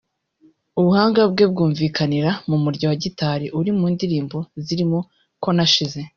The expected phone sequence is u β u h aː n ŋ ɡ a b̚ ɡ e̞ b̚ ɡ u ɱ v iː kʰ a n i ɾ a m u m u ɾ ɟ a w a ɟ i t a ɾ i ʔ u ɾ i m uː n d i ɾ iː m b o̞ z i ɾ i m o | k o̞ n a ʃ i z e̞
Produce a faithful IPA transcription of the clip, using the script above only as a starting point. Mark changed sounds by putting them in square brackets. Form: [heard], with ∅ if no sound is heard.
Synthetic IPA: u β u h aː [∅] ŋ ɡ a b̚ ɡ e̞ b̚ ɡ [uː] ɱ v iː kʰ a n i ɾ a m u m u ɾ ɟ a w a ɟ i t a ɾ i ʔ u ɾ i m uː n d i ɾ iː m b o̞ z i ɾ i m o | k o̞ n a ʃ i z e̞